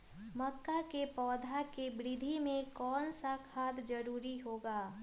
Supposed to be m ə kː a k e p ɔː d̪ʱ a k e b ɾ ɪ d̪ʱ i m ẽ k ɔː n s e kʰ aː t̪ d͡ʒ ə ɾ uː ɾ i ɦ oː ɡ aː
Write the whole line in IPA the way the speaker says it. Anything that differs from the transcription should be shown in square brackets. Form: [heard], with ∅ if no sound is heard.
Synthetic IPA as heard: m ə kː a k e p ɔː d̪ʱ a k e b ɾ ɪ d̪ʱ i m ẽ k ɔː n s [a] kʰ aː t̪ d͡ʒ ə ɾ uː ɾ i ɦ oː ɡ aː